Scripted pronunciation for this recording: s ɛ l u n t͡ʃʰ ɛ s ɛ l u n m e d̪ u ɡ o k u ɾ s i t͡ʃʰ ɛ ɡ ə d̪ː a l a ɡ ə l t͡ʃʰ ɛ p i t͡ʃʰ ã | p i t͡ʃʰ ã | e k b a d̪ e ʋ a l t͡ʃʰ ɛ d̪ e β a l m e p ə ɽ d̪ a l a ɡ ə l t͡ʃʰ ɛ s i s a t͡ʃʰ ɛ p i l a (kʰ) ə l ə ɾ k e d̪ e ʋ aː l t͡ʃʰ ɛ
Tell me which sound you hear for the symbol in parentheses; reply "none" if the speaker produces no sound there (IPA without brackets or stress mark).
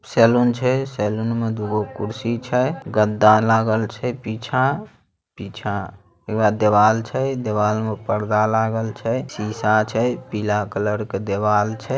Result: k